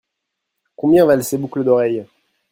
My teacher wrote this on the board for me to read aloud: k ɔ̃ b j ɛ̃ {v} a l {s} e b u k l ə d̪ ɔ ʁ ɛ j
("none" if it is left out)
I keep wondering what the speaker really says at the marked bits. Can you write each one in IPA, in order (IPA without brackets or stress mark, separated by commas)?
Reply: v, s